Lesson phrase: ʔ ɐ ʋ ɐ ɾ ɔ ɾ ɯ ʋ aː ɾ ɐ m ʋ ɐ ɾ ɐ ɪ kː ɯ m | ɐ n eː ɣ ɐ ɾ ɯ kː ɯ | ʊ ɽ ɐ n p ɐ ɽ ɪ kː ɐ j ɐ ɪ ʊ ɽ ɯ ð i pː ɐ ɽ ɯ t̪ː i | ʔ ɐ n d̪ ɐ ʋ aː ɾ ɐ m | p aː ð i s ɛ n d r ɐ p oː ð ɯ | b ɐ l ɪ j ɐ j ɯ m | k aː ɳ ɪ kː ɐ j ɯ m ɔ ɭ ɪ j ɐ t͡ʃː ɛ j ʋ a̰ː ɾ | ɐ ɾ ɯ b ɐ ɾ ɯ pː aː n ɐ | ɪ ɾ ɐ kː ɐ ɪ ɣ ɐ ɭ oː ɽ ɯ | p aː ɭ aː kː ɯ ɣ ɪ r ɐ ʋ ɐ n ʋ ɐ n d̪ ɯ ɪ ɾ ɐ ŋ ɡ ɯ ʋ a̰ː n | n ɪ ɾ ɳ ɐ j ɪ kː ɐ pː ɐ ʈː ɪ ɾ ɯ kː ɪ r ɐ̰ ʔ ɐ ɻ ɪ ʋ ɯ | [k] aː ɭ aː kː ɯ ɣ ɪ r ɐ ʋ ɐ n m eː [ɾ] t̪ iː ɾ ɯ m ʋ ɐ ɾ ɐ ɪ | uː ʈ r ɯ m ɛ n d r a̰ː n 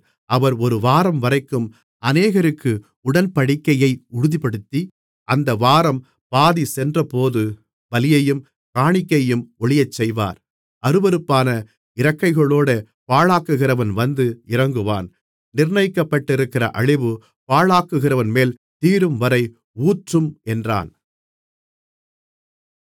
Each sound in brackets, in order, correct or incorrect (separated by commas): incorrect, incorrect